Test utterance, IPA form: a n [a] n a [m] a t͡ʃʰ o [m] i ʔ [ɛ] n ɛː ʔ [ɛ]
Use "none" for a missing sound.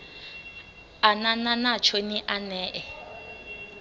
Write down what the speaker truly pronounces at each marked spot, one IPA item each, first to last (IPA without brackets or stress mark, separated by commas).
a, n, n, a, ɛ